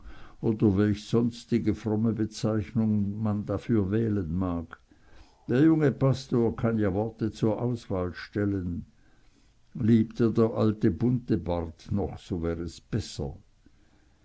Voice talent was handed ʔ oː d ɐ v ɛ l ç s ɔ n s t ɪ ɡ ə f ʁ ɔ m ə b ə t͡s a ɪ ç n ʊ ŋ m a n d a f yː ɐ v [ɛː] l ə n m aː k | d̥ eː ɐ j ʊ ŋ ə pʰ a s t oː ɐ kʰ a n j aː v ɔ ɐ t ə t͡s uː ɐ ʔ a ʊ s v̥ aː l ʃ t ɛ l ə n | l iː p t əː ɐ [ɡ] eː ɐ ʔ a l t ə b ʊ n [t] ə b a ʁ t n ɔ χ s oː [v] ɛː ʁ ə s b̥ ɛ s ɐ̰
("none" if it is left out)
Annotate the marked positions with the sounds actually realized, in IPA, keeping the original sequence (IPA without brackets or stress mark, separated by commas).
ɛː, d, t, v